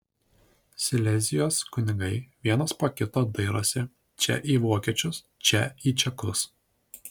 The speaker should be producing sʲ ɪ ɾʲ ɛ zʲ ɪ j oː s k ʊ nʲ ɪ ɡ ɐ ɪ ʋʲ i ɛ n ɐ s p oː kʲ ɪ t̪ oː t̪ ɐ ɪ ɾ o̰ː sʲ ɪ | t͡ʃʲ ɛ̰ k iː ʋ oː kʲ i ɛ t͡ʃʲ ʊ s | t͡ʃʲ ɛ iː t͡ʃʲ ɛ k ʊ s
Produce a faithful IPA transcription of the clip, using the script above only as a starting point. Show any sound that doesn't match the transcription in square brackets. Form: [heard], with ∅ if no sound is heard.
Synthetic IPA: sʲ ɪ [lʲ] ɛ zʲ ɪ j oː s k ʊ nʲ ɪ ɡ ɐ ɪ ʋʲ i ɛ n ɐ s p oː kʲ ɪ t̪ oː [d̪] ɐ ɪ ɾ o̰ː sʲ ɪ | t͡ʃʲ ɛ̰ [ʔ] iː ʋ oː kʲ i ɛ t͡ʃʲ ʊ s | t͡ʃʲ ɛ iː t͡ʃʲ ɛ k ʊ s